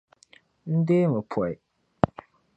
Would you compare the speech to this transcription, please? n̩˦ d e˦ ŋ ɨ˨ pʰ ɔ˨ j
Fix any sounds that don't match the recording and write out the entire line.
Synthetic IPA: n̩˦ d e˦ m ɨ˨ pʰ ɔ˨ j